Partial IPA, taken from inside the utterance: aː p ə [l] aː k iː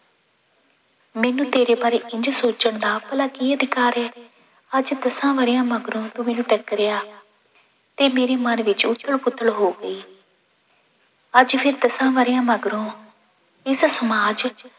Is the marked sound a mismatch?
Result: no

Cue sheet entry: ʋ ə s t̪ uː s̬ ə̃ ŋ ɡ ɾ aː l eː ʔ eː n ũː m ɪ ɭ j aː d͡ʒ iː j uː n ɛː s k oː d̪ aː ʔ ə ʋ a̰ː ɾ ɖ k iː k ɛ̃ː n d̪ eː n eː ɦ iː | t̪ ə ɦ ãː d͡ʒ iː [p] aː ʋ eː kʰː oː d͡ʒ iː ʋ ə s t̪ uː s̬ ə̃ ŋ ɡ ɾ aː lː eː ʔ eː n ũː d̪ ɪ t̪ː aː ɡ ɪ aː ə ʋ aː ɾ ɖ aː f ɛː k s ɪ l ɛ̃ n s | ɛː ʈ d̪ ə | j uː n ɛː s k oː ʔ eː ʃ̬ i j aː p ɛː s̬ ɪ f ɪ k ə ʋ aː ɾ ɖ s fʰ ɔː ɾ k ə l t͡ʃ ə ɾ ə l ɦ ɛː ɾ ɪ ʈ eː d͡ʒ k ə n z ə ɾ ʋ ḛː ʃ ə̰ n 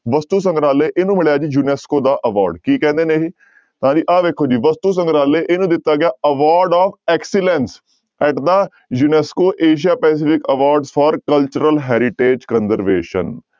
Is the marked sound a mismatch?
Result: yes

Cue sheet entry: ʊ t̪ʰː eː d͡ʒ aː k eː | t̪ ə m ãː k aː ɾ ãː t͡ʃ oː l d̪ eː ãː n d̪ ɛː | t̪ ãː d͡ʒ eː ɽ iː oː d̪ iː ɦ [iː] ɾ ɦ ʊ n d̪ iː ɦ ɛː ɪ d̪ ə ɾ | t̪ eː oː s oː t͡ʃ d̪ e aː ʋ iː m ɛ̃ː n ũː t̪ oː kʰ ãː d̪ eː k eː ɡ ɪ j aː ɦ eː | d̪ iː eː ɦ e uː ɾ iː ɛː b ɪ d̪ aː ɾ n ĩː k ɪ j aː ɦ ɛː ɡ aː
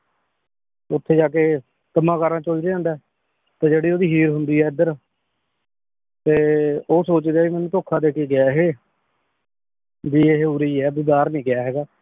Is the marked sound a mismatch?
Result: no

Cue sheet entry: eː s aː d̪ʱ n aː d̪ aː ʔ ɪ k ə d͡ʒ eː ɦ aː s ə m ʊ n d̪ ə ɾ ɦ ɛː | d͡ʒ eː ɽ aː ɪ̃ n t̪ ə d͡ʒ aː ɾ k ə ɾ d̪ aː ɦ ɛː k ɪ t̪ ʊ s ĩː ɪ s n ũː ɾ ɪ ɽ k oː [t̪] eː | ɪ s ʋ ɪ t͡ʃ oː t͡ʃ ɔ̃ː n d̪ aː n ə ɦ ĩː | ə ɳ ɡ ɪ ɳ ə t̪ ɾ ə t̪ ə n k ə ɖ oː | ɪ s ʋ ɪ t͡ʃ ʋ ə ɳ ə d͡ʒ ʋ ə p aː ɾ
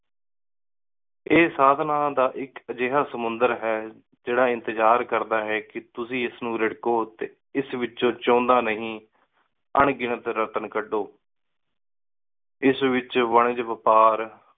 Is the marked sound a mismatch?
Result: no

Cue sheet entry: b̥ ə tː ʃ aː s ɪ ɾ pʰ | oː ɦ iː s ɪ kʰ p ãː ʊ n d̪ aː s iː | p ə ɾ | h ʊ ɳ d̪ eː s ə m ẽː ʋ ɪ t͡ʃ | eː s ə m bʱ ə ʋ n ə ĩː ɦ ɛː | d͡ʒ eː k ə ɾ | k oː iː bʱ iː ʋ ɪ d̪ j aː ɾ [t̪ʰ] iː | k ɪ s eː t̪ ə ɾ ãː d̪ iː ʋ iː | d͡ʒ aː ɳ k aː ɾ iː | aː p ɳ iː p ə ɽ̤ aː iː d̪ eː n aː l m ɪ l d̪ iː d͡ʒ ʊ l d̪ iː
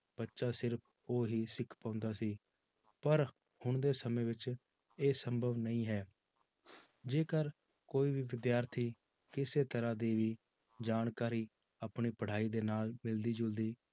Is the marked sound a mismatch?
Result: no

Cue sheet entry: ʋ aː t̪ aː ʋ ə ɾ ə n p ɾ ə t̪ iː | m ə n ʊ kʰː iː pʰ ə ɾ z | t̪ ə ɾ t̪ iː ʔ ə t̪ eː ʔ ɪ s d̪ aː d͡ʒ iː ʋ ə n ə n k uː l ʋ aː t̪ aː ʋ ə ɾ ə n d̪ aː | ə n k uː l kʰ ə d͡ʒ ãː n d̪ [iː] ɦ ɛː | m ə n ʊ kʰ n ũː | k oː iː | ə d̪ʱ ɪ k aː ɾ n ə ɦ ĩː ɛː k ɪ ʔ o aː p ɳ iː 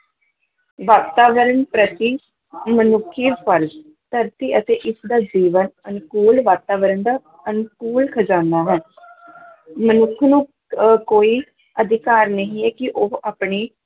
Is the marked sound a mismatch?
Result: yes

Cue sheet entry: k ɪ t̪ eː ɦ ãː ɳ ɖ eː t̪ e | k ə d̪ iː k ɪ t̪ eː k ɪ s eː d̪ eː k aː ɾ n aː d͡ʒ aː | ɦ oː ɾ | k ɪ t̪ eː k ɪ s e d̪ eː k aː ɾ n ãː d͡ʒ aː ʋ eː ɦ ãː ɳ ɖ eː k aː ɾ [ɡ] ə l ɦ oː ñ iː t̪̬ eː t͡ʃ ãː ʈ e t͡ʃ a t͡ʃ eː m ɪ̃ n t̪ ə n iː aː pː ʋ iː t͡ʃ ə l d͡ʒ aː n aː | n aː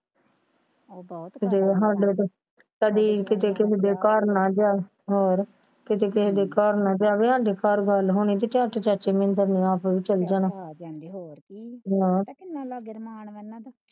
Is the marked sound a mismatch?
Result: no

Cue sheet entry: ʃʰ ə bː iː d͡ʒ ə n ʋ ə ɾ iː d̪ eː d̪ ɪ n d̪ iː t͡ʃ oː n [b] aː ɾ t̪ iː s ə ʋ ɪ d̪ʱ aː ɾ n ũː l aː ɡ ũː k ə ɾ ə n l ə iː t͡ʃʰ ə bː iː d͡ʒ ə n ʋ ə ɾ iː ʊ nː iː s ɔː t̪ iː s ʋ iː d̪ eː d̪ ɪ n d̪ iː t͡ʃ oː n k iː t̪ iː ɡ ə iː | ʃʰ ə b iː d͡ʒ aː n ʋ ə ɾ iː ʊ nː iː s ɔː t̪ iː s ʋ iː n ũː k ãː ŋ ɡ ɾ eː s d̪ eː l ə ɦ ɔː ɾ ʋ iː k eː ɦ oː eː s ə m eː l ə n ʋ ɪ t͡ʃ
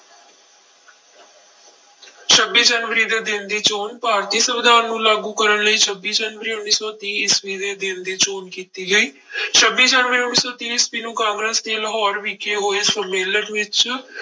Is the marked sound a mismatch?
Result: yes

